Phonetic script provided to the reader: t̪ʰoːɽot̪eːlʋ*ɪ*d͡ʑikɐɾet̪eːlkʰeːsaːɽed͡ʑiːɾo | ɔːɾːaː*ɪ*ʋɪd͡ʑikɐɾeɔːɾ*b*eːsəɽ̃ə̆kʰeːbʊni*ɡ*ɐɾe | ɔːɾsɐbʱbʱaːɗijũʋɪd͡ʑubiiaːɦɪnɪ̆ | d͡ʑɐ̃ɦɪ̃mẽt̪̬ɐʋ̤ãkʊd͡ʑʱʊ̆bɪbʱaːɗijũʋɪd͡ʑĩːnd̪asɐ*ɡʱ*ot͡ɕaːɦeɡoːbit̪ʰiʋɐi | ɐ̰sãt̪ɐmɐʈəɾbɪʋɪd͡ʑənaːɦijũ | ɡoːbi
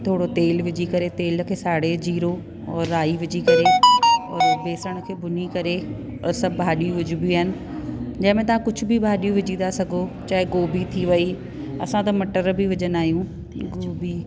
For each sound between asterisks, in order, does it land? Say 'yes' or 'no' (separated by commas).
yes, no, yes, no, yes